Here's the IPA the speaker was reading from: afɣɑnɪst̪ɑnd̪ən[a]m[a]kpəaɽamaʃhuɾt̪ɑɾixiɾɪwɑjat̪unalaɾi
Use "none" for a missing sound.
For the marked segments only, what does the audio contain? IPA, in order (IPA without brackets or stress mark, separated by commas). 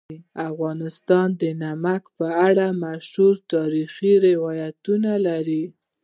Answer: a, a